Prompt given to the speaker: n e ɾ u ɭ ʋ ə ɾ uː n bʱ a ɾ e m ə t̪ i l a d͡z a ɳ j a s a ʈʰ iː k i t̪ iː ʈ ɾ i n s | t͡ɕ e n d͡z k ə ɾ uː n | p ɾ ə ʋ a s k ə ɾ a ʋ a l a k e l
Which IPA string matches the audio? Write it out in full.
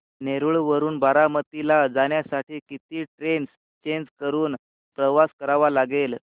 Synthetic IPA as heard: n e ɾ u ɭ ʋ ə ɾ uː n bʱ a ɾ a m ə t̪ i l a d͡z a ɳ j a s a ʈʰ iː k i t̪ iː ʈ ɾ e n s | t͡ɕ e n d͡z k ə ɾ uː n | p ɾ ə ʋ a s k ə ɾ a ʋ a l a ɡ e l